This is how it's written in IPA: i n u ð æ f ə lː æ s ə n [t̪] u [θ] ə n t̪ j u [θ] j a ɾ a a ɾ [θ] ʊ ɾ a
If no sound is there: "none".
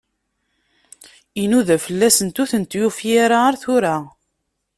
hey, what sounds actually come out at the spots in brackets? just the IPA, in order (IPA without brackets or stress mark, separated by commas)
t̪, θ, f, θ